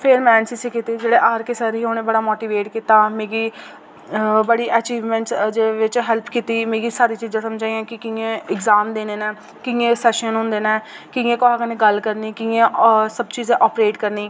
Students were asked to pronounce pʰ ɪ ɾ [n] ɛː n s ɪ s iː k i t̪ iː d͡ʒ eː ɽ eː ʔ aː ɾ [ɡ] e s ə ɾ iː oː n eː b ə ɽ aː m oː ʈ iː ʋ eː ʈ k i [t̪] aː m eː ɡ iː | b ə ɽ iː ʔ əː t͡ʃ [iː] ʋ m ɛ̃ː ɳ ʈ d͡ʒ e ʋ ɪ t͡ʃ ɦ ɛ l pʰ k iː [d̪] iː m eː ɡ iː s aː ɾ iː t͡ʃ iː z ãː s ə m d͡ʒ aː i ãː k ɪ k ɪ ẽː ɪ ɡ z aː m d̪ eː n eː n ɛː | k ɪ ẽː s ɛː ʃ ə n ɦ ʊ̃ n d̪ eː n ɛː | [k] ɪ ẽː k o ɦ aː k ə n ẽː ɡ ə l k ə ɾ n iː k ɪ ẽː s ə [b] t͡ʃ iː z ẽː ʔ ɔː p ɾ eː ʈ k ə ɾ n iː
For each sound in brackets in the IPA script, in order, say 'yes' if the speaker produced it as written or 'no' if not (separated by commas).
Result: no, no, yes, yes, no, yes, yes